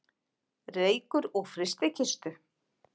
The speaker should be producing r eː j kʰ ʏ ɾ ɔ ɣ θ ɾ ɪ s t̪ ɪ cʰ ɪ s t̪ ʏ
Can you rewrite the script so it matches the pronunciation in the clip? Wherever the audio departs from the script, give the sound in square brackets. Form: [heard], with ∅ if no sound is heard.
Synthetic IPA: r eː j [k] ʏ ɾ ɔ ɣ [f] ɾ ɪ s t̪ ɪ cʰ ɪ s t̪ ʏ